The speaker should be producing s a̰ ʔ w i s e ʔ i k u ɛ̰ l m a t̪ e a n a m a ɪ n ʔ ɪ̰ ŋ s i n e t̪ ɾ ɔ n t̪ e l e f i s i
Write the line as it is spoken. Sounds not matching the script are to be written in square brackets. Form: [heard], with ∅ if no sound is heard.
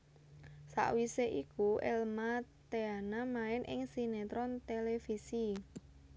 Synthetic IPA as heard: s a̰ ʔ w i s e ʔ i k u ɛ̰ l m a t̪ e a n a m a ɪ n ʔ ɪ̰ ŋ s i n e t̪ ɾ ɔ n t̪ e l e f i s i